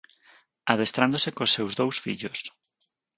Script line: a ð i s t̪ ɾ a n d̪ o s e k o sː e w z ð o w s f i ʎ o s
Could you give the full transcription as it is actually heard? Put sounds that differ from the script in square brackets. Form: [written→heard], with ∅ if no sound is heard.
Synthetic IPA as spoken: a ð [i→e] s t̪ ɾ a n d̪ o s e k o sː e w z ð o w s f i ʎ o s

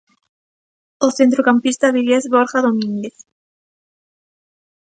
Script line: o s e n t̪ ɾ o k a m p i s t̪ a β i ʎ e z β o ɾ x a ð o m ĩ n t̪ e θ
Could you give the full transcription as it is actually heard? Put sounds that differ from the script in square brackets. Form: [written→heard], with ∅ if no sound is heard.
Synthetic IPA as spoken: o [s→θ] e n t̪ ɾ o k a m p i s t̪ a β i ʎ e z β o ɾ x a ð o m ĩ n [t̪→d̪] e θ

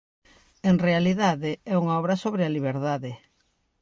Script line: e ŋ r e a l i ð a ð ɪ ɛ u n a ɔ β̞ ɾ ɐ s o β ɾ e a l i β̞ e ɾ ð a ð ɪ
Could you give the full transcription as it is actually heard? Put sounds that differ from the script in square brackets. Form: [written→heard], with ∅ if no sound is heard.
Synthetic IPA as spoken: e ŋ r e a l i ð a ð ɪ ɛ u [n→ŋ] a ɔ β̞ ɾ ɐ s o β ɾ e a l i β̞ e ɾ ð a ð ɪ

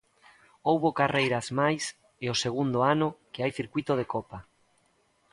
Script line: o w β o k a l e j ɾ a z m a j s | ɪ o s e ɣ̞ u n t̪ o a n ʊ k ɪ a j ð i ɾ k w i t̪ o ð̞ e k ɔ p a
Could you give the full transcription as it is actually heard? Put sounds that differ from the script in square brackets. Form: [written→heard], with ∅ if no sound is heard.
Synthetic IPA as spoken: o w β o k a [l→r] e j ɾ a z m a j s | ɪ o s e ɣ̞ u n [t̪→d̪] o a n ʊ k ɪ a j [ð→θ] i ɾ k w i t̪ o ð̞ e k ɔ p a

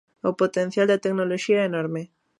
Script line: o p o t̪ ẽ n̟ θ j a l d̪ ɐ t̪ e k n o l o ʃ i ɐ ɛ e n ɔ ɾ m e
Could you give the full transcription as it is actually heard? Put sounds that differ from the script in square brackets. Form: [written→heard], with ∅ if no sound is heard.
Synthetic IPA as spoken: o p o t̪ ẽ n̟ θ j a l d̪ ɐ t̪ e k n o l o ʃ i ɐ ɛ e n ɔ ɾ m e

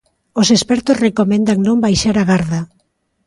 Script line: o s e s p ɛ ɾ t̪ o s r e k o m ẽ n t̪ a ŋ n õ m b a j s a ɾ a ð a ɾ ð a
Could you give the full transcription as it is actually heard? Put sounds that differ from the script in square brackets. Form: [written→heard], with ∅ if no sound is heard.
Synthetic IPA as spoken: o s e s p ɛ ɾ t̪ o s r e k o m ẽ n [t̪→d̪] a ŋ n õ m b a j [s→ʃ] a ɾ a [ð→ɣ] a ɾ ð a

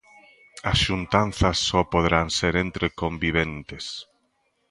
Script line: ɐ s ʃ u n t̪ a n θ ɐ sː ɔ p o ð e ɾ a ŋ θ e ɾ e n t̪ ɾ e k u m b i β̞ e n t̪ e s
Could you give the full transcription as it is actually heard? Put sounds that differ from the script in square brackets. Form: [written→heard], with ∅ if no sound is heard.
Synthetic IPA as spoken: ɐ s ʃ u n t̪ a n θ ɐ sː ɔ p o ð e ɾ a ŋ [θ→s] e ɾ e n t̪ ɾ e k [u→o] m b i β̞ e n t̪ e s

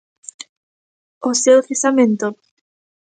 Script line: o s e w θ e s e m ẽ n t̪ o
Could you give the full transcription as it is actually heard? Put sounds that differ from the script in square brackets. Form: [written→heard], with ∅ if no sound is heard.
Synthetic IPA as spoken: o s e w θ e s [e→a] m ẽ n t̪ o

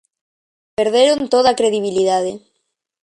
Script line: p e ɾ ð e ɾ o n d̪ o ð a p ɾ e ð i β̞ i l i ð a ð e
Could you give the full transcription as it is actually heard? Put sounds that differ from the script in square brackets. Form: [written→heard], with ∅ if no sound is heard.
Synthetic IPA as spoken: p e ɾ ð e ɾ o n [d̪→t̪] o ð a [p→k] ɾ e ð i β̞ i l i ð a ð e

